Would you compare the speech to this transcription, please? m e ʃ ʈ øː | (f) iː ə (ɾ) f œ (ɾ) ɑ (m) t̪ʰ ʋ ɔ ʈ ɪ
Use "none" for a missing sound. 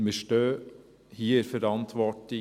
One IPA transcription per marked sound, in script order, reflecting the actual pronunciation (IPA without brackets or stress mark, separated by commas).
h, ɾ, ɾ, n